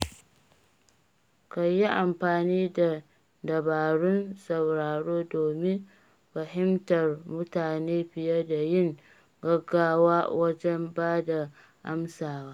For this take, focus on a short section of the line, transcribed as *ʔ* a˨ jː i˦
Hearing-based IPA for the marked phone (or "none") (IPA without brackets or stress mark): k